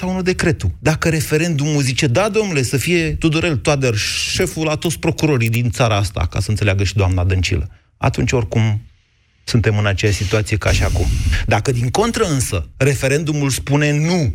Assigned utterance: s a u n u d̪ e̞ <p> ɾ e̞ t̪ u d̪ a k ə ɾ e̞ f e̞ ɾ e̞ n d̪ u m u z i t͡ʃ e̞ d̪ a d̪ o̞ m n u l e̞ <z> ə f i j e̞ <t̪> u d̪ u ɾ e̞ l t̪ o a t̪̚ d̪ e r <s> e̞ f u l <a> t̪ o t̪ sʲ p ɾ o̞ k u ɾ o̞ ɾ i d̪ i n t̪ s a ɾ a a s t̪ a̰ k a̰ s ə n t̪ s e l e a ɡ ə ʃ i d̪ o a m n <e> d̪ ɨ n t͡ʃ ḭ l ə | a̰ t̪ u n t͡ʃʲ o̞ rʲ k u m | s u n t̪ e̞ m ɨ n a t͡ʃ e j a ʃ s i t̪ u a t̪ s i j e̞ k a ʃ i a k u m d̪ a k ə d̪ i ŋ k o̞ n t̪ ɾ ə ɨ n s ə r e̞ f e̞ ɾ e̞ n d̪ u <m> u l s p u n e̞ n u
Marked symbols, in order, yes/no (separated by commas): no, no, yes, no, yes, no, yes